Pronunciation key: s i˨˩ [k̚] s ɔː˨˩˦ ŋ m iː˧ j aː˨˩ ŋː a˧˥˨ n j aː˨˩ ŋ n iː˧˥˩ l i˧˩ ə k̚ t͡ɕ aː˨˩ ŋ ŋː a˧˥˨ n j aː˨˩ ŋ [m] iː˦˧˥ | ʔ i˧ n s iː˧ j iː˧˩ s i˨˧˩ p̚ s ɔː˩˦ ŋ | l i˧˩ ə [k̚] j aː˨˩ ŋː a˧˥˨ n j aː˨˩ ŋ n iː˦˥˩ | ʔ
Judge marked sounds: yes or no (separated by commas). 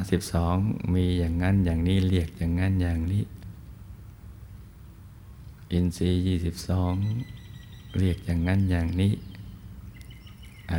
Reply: no, no, yes